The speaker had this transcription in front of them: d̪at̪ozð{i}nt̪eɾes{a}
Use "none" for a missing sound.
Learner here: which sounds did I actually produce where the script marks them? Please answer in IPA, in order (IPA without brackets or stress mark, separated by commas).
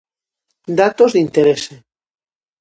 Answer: i, e